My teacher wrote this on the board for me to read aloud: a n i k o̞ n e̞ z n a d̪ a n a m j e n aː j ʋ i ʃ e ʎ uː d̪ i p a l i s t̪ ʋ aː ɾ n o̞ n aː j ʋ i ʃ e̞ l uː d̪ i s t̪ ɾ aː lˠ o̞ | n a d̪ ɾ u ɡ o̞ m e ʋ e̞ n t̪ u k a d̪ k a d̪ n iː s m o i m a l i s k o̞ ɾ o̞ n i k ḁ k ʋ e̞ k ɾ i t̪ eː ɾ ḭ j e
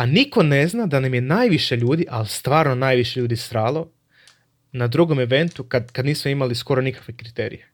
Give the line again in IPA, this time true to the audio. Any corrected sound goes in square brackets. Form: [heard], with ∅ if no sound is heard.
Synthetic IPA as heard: a n i k o̞ n e̞ z n a d̪ a n a m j e n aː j ʋ i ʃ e ʎ uː d̪ i [ʔ] a l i s t̪ ʋ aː ɾ n o̞ n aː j ʋ i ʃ e̞ [ʎ] uː d̪ i s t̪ ɾ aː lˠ o̞ | n a d̪ ɾ u ɡ o̞ m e ʋ e̞ n t̪ u k a d̪ k a d̪ n iː s m o i m a l i s k o̞ ɾ o̞ n i k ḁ k ʋ e̞ k ɾ i t̪ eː ɾ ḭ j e